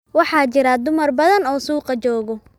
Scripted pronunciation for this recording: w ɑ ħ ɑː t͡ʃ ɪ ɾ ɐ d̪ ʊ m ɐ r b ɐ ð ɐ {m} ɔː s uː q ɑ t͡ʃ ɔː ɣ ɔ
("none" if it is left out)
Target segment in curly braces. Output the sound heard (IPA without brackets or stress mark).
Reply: n